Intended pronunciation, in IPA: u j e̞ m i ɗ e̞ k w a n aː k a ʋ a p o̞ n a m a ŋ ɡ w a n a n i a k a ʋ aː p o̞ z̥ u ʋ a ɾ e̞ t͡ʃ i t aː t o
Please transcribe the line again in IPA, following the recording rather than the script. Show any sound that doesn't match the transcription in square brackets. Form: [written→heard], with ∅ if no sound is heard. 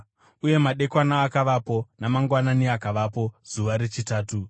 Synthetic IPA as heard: u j e̞ m [i→a] ɗ e̞ k w a n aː k a ʋ a p o̞ n a m a ŋ ɡ w a n a n i a k a ʋ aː p o̞ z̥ u ʋ a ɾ e̞ t͡ʃ i t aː t [o→u]

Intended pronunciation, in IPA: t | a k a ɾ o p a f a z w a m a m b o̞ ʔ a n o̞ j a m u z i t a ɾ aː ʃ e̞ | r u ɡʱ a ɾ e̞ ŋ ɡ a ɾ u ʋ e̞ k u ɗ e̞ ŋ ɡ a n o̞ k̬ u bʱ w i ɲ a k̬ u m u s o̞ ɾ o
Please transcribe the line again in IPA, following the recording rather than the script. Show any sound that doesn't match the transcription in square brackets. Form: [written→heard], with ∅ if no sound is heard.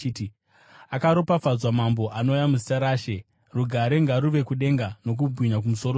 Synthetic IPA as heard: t | a k a ɾ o p a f a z w a m a m b o̞ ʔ a n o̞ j a m u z i t a ɾ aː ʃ e̞ | r u ɡʱ a ɾ e̞ ŋ ɡ a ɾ u ʋ e̞ k u ɗ e̞ ŋ ɡ a n o̞ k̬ u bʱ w i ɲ a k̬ u m u s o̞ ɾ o

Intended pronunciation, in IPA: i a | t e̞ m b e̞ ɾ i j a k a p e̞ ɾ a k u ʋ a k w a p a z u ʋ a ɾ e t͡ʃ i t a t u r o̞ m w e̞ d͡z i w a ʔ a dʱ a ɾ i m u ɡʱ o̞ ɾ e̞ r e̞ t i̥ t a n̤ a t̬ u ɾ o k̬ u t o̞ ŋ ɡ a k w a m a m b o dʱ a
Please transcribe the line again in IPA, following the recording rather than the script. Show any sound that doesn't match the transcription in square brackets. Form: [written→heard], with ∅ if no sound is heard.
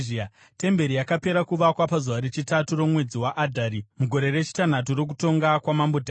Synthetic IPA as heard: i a | t e̞ m b e̞ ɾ i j a k a p e̞ ɾ a k u ʋ a k w a p a z u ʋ a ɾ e t͡ʃ i t a t u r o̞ m w e̞ d͡z i w a ʔ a dʱ a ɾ i m u ɡʱ o̞ ɾ e̞ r e̞ [t→t͡ʃ] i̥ t a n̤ a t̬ u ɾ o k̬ u t o̞ ŋ ɡ a k w a m a m b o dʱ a

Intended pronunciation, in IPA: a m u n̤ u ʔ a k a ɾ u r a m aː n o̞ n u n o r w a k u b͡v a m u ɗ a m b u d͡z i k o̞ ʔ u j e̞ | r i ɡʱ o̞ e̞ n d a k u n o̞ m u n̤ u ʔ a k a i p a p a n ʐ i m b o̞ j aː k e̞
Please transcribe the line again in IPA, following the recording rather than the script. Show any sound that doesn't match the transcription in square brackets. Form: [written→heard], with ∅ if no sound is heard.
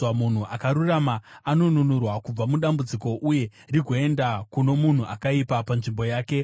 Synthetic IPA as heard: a m u n̤ u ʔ a k a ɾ u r a m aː n o̞ n u n [o→u] r w a k u b͡v a m u ɗ a m b u d͡z i k o̞ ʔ u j e̞ | r i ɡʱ o̞ e̞ n d a k u n o̞ m u n̤ u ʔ a k a i p a p a n ʐ i m b o̞ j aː k e̞

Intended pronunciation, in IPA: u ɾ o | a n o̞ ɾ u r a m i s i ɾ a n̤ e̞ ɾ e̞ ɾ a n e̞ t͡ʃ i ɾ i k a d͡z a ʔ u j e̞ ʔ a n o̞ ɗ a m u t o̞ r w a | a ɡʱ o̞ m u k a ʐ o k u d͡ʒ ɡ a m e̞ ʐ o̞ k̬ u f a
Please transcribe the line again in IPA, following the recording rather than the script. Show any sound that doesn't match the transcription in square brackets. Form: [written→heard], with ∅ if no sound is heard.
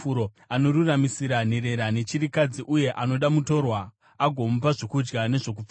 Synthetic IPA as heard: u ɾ o | a n o̞ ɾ u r a m i s i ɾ a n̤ e̞ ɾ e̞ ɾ a n e̞ t͡ʃ i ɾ i k a d͡z [a→i] ʔ u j e̞ ʔ a n o̞ ɗ a m u t o̞ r w a | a ɡʱ o̞ m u [k→p] a ʐ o k u d͡ʒ ɡ a [m→n] e̞ ʐ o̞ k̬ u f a

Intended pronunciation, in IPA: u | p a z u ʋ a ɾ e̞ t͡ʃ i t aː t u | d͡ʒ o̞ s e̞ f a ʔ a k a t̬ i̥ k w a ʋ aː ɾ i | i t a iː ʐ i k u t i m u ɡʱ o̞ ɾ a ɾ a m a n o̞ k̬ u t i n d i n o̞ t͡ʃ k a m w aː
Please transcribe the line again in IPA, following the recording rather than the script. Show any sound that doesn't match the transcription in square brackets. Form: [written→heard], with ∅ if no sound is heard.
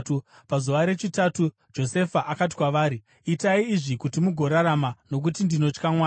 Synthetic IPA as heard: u | p a z u ʋ a ɾ e̞ t͡ʃ i t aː t u | d͡ʒ o̞ s e̞ f a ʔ a k a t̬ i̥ k w a ʋ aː ɾ i | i t a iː ʐ i k u t i m u ɡʱ o̞ ɾ a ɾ a m a n o̞ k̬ u t i n d i n o̞ t͡ʃ k a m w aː

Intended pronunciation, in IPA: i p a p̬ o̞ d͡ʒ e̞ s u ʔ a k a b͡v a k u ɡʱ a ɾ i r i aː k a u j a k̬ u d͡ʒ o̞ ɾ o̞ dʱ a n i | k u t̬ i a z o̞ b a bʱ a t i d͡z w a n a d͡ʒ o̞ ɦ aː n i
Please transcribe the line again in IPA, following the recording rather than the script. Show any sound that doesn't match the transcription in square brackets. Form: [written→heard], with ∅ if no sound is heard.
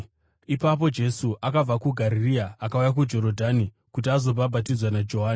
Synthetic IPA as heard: i p a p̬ o̞ d͡ʒ e̞ s u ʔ a k a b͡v a k u ɡʱ a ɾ i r i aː k a u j a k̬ u d͡ʒ o̞ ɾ o̞ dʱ a n i | k u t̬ i a z o̞ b a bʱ a t i d͡z w a n a d͡ʒ o̞ ɦ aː n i

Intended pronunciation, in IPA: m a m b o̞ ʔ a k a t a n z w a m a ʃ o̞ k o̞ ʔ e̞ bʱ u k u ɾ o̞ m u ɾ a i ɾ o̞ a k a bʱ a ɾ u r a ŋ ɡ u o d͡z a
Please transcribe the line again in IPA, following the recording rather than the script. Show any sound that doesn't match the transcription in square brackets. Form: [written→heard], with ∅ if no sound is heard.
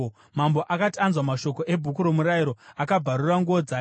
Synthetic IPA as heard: m a m b o̞ ʔ a k a t a n z w a m a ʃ o̞ k o̞ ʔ e̞ bʱ u k u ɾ o̞ m u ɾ a i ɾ o̞ a k a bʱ a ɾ u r a ŋ ɡ u o d͡z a

